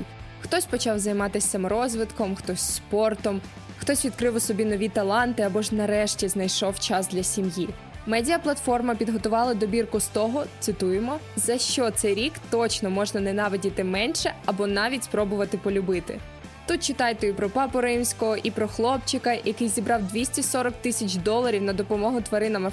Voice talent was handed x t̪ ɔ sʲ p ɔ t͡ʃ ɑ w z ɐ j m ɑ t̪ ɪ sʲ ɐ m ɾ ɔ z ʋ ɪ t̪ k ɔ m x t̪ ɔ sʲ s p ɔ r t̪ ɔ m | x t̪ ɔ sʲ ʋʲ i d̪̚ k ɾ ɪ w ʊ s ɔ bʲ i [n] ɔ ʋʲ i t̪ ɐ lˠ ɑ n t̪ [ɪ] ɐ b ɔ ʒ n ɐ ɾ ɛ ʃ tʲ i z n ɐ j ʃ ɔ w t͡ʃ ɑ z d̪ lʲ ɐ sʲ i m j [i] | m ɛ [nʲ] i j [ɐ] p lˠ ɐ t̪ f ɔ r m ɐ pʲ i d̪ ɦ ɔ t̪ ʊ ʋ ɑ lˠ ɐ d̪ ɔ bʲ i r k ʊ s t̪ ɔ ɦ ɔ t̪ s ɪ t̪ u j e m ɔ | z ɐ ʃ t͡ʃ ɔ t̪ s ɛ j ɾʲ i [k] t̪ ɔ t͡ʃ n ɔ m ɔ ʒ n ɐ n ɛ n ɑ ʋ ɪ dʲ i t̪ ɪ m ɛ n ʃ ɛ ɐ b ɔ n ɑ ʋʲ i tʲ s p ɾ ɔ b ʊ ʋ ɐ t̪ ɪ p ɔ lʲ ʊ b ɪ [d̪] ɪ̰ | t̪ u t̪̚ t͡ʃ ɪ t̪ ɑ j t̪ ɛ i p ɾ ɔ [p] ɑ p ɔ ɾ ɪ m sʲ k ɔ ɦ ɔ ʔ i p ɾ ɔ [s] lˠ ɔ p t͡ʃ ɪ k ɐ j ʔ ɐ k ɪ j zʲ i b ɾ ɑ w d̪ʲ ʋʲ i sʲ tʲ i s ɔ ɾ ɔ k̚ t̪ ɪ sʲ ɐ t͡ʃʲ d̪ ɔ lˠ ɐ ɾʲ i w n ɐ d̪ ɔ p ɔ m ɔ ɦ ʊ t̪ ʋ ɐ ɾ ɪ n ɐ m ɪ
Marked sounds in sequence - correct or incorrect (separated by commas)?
correct, correct, correct, incorrect, correct, correct, incorrect, correct, incorrect